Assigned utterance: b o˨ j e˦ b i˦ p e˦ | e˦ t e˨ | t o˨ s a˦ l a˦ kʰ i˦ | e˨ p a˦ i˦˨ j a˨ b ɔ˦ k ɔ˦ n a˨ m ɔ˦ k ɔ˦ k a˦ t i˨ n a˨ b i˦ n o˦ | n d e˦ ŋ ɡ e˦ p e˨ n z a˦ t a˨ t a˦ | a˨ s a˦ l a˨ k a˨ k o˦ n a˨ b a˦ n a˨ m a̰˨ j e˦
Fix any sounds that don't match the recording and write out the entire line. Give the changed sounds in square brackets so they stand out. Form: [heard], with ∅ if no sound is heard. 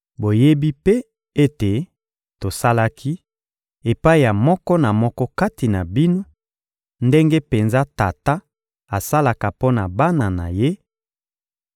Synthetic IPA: b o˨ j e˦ b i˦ p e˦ | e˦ t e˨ | t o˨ s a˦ l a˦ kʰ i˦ | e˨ p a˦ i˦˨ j a˨ [m] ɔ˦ k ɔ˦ n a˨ m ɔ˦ k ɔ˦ k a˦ t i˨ n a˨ b i˦ n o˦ | n d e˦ ŋ ɡ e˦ p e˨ n z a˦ t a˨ t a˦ | a˨ s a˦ l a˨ k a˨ [p] o˦ n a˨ b a˦ n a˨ [n] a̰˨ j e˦